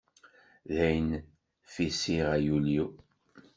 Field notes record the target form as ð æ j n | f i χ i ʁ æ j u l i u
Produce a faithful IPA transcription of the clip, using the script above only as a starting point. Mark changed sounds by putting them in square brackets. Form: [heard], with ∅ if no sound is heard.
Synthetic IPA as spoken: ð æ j n | f i [s] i ʁ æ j u l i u